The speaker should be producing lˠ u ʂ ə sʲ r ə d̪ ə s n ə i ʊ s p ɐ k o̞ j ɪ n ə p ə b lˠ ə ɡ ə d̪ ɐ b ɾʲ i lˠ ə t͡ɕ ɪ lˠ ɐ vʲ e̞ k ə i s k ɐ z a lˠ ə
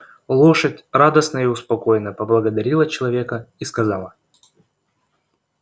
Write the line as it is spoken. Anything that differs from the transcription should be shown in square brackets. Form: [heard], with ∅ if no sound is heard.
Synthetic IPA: lˠ [o] ʂ ə [tʲ] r [a] d̪ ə s n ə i ʊ s p ɐ k o̞ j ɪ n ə p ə b lˠ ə ɡ ə d̪ ɐ [∅] ɾʲ i lˠ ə t͡ɕ ɪ lˠ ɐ vʲ e̞ k ə i s k ɐ z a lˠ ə